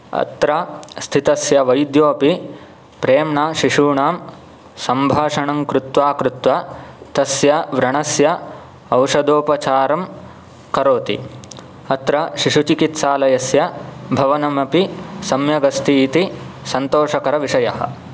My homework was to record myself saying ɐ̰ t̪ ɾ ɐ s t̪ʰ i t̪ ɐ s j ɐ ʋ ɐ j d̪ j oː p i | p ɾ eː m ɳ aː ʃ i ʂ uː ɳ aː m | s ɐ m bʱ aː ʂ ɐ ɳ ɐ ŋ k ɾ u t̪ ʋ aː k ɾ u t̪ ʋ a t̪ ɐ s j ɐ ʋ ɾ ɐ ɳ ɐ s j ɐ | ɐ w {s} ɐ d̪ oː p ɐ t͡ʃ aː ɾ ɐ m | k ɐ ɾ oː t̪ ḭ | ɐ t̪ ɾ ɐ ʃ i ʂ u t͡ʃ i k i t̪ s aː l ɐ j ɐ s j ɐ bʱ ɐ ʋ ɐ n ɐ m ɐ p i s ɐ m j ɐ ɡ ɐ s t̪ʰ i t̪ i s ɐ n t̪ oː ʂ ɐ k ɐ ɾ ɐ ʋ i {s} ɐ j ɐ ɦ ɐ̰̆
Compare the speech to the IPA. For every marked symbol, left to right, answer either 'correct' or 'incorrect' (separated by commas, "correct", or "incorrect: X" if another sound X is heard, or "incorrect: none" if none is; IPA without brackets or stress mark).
incorrect: ʂ, incorrect: ʂ